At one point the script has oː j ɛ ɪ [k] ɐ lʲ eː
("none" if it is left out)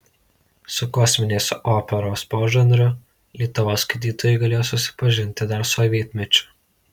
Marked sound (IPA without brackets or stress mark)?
ɡ